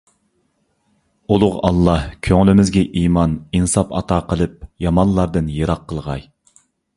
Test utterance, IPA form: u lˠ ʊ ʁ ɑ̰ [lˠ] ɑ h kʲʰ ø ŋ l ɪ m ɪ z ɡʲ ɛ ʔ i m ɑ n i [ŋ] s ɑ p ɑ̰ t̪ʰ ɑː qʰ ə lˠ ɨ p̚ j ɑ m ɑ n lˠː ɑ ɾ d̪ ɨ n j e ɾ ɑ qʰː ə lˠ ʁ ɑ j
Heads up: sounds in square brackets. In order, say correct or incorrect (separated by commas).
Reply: incorrect, incorrect